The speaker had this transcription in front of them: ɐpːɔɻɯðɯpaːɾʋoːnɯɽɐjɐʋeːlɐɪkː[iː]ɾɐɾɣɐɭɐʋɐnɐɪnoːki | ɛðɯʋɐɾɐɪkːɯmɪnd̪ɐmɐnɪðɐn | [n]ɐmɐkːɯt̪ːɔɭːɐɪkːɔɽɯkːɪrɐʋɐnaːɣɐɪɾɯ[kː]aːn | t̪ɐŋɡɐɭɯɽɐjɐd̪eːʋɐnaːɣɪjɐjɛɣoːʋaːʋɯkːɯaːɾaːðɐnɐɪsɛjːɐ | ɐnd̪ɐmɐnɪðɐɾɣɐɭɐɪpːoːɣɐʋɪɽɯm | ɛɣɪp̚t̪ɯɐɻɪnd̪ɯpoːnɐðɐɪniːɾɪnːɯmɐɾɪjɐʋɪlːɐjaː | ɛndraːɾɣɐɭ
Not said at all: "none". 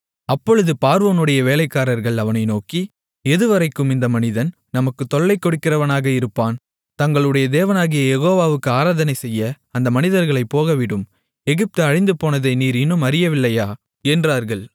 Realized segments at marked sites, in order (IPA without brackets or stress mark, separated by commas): aː, n, pː